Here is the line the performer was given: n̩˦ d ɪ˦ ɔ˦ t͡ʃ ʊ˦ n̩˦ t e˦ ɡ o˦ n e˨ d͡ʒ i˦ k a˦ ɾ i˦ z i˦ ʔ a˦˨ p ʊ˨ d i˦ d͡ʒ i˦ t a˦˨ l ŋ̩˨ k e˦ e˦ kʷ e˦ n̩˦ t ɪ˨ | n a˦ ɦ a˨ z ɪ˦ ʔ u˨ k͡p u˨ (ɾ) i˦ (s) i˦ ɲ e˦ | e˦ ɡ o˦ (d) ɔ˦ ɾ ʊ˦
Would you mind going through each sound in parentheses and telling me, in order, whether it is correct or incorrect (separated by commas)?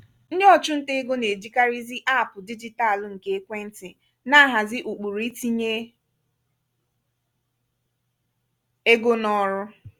correct, incorrect, incorrect